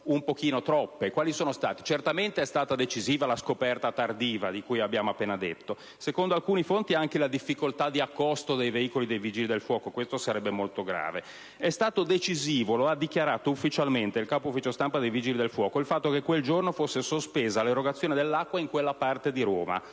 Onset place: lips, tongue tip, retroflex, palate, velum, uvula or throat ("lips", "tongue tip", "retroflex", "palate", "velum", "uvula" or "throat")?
lips